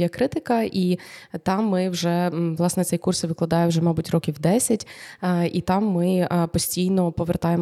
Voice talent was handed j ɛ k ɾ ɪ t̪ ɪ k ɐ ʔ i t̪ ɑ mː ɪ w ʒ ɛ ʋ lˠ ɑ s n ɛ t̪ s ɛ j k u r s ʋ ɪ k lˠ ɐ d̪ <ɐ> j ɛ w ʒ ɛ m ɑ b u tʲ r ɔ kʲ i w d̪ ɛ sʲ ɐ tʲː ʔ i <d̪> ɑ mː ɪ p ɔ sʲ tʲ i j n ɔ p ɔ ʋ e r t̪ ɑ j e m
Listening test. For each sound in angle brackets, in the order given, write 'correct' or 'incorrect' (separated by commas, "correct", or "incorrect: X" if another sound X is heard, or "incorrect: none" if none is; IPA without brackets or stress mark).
incorrect: ɑ, incorrect: t̪